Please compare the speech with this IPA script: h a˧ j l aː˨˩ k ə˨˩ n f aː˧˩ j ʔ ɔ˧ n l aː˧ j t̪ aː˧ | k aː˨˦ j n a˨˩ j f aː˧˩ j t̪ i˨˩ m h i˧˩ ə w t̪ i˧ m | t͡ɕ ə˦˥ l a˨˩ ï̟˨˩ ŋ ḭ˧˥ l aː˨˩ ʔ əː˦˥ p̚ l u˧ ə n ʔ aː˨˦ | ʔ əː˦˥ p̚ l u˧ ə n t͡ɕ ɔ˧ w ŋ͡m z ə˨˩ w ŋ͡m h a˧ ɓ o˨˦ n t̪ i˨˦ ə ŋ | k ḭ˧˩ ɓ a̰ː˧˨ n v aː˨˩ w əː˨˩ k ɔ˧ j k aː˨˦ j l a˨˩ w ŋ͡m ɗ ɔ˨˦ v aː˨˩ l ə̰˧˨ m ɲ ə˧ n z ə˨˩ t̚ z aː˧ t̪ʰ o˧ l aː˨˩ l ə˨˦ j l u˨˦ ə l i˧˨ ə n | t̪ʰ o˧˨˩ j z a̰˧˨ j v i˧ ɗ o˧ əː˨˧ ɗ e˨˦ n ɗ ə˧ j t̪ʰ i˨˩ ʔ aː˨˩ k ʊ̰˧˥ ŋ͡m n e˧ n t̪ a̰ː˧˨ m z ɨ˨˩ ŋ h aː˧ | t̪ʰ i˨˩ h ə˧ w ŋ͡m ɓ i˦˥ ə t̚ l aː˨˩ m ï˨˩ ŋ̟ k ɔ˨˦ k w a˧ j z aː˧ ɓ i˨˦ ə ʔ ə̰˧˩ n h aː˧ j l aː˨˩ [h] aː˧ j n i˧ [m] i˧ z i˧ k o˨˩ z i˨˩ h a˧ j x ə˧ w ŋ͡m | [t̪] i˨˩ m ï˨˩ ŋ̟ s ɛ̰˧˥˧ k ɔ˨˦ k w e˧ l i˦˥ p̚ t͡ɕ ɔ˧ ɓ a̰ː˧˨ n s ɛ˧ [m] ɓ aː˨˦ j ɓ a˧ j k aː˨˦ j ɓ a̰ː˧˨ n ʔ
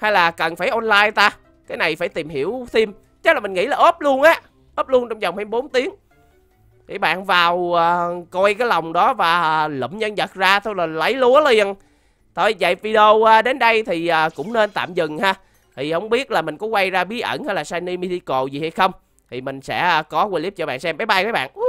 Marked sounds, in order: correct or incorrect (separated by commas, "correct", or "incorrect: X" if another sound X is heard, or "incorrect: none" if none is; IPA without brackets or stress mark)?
incorrect: s, correct, incorrect: t̪ʰ, correct